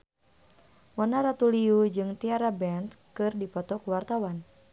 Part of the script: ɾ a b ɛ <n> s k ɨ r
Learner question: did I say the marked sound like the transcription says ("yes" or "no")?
yes